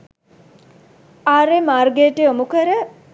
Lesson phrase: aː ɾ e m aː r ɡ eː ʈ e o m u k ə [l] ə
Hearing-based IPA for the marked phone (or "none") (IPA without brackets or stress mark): ɾ